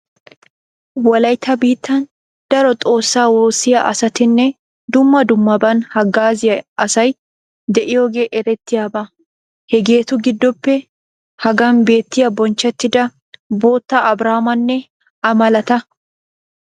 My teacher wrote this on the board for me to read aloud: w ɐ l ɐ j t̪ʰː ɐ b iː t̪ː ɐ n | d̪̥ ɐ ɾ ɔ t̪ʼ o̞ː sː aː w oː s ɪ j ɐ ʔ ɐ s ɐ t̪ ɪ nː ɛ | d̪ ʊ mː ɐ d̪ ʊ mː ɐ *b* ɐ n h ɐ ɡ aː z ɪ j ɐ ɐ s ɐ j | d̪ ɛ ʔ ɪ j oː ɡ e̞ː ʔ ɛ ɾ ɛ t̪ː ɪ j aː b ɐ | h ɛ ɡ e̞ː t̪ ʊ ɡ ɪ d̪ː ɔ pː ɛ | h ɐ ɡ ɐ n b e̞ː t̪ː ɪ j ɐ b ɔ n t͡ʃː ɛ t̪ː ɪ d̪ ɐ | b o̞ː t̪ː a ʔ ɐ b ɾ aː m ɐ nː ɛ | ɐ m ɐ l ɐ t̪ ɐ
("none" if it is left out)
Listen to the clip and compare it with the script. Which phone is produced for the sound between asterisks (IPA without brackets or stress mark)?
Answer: b